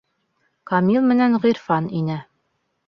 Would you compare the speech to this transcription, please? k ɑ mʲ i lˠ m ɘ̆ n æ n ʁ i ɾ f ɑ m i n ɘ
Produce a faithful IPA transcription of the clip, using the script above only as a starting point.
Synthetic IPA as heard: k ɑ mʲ i lˠ m ɘ̆ n æ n ʁ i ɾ f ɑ n i n ɘ